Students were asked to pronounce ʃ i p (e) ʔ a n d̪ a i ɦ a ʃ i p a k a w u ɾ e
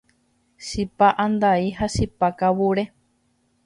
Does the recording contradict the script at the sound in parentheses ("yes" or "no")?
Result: yes